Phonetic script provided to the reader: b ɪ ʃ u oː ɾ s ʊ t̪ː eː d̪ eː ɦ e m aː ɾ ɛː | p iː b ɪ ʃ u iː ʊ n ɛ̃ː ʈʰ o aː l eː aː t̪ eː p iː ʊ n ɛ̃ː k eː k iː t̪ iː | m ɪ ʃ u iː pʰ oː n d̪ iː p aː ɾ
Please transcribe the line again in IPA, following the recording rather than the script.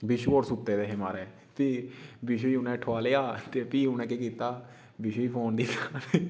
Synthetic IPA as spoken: b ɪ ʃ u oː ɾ s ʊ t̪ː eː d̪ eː ɦ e m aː ɾ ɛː | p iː b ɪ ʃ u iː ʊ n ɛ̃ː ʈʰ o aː l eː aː t̪ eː p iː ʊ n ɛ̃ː k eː k iː t̪ aː | b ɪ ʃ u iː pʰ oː n d̪ iː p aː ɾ